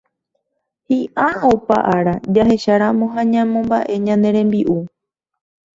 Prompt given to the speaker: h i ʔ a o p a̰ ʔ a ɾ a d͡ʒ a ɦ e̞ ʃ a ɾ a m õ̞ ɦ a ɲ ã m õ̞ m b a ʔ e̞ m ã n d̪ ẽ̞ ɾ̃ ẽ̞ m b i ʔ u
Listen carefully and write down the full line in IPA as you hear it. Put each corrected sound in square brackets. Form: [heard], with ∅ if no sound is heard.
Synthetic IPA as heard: h i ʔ a o p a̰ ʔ a ɾ a d͡ʒ a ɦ e̞ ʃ a ɾ a m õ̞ ɦ a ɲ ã m õ̞ m b a ʔ e̞ [ɲ] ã n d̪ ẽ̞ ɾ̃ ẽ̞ m b i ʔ u